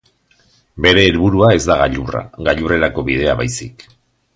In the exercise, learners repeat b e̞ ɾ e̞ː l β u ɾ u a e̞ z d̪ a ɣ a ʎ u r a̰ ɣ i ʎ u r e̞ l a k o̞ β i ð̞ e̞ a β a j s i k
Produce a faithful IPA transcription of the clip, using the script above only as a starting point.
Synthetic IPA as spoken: b e̞ ɾ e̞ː l β u ɾ u a e̞ z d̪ a ɣ a ʎ u r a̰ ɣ a ʎ u r e̞ ɾ a k o̞ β i ð̞ e̞ a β a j s i k